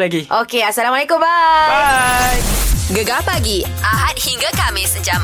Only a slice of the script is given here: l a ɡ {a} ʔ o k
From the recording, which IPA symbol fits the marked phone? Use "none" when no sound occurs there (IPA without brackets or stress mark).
i